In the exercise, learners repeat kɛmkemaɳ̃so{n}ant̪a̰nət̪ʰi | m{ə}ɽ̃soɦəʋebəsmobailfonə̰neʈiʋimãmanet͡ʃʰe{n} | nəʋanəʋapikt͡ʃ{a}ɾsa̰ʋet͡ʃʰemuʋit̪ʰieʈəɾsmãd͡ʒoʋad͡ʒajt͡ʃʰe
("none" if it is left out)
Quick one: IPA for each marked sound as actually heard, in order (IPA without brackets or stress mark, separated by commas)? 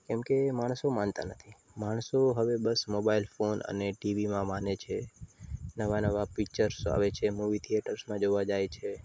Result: m, a, none, ə